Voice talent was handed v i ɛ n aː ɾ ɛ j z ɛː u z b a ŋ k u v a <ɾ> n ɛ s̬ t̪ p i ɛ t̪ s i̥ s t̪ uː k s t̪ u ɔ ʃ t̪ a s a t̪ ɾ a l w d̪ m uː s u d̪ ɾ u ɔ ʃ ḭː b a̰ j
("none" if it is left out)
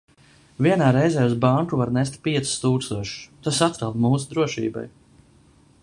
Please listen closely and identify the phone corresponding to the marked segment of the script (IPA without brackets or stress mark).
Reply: ɾ